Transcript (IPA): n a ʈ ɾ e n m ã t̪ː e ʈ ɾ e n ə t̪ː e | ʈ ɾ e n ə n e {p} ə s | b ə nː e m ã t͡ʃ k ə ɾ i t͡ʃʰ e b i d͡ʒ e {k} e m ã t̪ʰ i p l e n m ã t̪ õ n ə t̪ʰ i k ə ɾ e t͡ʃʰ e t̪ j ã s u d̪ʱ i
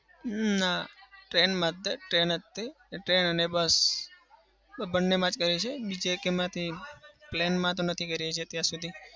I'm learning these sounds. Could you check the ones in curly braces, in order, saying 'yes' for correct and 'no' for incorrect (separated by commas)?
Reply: no, yes